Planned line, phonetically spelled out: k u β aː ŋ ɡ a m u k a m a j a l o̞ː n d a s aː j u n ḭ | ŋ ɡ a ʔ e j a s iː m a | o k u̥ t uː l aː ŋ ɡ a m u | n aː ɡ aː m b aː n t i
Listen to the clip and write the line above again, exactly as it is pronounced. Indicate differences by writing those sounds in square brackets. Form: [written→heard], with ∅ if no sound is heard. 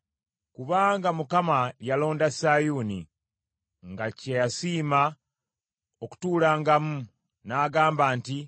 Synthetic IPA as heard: k u β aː ŋ ɡ a m u k a m a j a l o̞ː n d a s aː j u n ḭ | ŋ ɡ a [ʔ→c] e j a s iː m a | o k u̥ t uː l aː ŋ ɡ a m u | n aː ɡ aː m b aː n t i